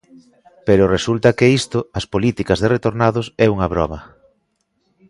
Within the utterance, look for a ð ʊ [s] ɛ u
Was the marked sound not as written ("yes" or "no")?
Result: no